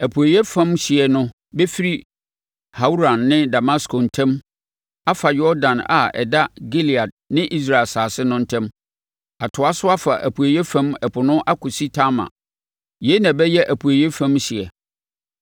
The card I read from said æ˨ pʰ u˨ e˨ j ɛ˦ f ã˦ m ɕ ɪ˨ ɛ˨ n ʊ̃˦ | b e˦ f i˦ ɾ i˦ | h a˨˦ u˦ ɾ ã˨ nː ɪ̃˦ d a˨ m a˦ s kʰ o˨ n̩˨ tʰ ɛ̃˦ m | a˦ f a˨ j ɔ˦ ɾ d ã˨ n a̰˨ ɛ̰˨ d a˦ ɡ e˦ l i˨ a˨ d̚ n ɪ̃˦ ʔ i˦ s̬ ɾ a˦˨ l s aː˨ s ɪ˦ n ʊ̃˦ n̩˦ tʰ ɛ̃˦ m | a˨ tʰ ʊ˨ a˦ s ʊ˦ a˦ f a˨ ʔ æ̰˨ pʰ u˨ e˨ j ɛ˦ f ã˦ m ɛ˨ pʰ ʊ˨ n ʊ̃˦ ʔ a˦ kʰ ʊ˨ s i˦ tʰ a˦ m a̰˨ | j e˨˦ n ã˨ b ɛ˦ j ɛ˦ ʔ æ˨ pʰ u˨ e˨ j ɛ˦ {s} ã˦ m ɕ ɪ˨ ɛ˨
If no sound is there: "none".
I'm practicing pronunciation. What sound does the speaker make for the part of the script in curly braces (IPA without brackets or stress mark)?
f